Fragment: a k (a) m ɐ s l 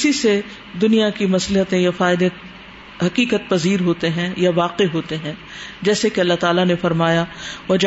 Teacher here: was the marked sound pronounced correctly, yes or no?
no